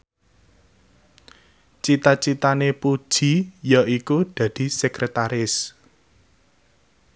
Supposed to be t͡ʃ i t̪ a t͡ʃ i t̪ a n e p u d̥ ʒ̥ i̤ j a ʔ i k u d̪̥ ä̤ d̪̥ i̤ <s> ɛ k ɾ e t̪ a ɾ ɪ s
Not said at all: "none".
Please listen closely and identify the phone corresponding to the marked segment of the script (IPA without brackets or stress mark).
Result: s